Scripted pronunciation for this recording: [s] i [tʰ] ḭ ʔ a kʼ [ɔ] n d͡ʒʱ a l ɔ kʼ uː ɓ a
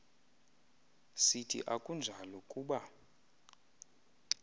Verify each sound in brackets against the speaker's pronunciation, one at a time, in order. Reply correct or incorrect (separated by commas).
correct, correct, incorrect